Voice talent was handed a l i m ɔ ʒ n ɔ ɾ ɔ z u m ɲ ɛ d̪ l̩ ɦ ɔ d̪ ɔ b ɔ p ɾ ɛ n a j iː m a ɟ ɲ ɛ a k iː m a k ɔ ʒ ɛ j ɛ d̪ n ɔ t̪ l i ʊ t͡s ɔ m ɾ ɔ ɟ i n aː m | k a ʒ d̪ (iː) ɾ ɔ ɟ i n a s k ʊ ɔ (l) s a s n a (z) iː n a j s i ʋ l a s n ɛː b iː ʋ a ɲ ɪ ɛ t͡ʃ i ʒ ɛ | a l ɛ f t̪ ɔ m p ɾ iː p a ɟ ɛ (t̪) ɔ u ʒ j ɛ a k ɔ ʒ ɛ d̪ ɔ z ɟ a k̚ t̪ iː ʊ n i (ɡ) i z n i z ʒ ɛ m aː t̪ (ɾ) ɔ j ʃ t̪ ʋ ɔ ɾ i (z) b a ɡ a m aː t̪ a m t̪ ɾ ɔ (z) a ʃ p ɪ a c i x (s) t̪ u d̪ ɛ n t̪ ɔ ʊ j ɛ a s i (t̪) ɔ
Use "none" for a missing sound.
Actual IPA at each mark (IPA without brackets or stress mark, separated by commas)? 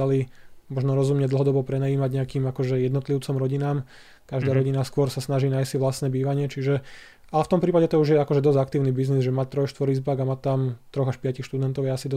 aː, ɾ, ʒ, t̪, b, ɾ, z, ɣ, ʃ, d̪